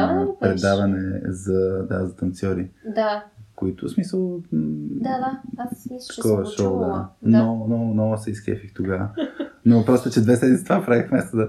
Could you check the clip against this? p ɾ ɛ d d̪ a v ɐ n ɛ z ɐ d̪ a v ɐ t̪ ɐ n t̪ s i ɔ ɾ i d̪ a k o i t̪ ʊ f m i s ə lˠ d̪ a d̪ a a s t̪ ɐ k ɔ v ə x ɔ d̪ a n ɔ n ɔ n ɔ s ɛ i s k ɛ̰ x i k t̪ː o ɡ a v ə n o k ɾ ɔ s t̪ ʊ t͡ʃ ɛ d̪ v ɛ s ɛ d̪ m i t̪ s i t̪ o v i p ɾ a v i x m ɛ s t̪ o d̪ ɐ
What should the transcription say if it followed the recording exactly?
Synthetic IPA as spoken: p ɾ ɛ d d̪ a v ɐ n ɛ z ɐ d̪ a z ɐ t̪ ɐ n t̪ s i ɔ ɾ i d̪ a k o i t̪ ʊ s m i s ə lˠ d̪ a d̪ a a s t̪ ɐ k ɔ v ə ʃ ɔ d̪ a n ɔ n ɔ n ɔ s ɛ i s k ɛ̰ f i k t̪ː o ɡ a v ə n o p ɾ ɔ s t̪ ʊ t͡ʃ ɛ d̪ v ɛ s ɛ d̪ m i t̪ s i t̪ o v a p ɾ a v i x m ɛ s t̪ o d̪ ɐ